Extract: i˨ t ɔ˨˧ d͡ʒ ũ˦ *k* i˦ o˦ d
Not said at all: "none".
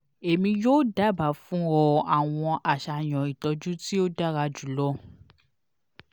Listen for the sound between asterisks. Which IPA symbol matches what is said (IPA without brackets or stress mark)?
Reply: t